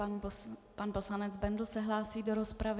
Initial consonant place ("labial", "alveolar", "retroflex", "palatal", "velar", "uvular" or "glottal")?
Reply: labial